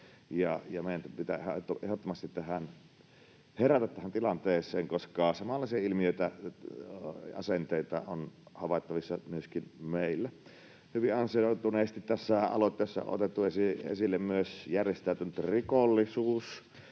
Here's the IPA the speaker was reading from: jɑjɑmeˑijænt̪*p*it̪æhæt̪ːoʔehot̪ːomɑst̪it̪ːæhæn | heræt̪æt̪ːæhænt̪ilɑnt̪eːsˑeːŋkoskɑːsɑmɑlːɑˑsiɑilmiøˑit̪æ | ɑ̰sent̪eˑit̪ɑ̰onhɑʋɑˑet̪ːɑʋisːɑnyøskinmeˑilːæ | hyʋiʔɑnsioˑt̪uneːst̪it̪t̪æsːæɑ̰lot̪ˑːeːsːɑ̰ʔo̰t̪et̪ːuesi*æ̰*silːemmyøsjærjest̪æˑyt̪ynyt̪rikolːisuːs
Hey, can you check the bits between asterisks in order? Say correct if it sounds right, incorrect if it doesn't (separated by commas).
correct, incorrect